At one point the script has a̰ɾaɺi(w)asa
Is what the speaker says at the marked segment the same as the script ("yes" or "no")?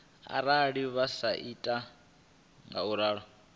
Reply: no